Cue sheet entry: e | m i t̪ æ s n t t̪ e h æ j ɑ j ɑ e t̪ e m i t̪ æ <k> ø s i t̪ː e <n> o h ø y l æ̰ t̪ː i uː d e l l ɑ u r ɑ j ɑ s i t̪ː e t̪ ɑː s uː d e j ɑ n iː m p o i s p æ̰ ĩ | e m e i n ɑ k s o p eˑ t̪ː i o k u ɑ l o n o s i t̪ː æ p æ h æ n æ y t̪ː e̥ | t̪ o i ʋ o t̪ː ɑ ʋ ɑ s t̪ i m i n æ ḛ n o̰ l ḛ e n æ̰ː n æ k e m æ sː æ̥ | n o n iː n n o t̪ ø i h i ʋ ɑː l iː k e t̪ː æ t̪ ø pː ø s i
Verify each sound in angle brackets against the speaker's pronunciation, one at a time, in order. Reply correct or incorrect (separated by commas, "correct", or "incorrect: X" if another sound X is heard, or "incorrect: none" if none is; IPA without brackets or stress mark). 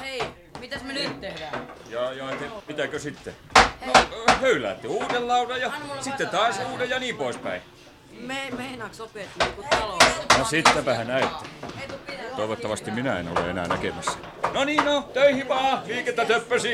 correct, correct